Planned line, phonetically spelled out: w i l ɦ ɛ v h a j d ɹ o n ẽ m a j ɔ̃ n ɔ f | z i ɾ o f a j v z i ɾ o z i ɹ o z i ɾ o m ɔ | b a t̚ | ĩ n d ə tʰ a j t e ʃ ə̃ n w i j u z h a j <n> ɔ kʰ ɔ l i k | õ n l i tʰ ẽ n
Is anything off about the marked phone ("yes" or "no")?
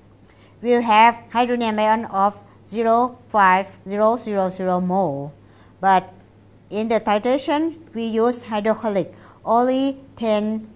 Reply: yes